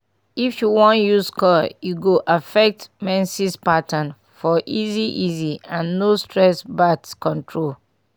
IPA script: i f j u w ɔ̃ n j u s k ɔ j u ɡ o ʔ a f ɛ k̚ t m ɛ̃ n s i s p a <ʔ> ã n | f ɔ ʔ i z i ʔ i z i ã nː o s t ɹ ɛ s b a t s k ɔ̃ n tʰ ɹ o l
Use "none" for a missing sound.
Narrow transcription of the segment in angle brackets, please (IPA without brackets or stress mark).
t